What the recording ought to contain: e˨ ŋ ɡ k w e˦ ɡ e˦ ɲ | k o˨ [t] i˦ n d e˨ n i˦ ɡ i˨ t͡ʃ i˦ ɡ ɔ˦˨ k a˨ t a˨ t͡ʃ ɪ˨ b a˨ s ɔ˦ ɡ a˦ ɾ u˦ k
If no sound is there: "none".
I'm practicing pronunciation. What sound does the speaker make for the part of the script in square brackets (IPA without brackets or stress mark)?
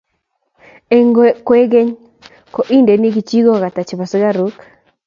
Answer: ʔ